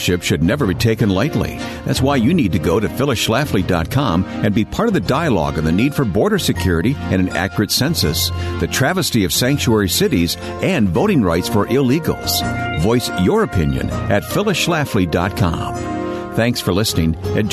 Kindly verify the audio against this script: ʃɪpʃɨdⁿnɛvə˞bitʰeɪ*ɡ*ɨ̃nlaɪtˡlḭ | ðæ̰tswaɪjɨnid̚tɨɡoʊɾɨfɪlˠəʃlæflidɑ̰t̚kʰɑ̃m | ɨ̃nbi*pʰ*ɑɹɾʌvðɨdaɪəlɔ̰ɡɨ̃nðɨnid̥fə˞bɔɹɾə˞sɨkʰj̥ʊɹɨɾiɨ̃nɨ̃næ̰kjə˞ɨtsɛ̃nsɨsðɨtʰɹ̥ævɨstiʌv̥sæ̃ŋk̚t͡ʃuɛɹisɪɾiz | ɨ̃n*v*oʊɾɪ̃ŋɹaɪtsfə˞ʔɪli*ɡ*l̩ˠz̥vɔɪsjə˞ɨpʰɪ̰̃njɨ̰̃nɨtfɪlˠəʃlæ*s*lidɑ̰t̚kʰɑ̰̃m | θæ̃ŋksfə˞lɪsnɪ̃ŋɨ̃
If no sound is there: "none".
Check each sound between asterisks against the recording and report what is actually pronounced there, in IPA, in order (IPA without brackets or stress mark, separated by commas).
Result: k, pʰ, v, ɡ, f